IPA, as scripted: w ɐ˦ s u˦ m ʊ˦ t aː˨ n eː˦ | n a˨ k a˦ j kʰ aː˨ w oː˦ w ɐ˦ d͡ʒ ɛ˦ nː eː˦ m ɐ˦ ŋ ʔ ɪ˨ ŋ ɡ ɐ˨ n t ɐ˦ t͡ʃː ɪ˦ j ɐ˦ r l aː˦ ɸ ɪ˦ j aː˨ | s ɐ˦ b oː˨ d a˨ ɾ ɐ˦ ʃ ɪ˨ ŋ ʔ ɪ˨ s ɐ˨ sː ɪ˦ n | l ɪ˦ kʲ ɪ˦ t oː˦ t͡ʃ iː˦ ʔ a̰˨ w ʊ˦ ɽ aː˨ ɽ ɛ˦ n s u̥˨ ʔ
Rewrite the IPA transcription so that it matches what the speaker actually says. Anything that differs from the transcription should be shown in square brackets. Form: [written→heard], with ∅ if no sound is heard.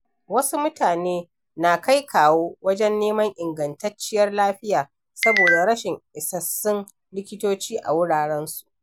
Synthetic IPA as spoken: w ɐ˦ s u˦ m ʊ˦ t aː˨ n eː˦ | n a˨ k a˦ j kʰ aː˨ w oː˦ w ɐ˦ d͡ʒ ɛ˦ nː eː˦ m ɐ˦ ŋ ʔ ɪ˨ ŋ ɡ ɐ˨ n t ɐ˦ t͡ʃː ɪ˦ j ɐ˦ r l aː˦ ɸ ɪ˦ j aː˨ | s ɐ˦ b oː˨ d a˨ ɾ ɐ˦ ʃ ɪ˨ ŋ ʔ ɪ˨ s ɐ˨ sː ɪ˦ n | l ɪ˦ kʲ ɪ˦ t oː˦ t͡ʃ iː˦ ʔ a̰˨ w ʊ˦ ɽ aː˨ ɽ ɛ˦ n s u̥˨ ʔ